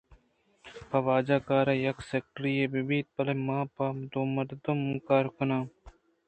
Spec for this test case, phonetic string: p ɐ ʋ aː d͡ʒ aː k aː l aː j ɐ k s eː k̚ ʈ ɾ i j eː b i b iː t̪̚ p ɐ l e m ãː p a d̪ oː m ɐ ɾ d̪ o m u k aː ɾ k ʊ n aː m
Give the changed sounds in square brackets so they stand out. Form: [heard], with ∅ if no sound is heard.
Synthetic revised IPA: p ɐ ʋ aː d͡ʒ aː k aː [ɾ] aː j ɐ k s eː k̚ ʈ ɾ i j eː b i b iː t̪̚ p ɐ l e m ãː p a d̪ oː m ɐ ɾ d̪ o m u k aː ɾ k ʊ n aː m